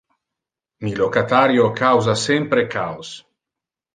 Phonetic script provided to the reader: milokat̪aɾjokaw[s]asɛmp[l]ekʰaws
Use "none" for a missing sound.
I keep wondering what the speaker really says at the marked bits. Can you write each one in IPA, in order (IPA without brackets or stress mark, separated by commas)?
z, ɾ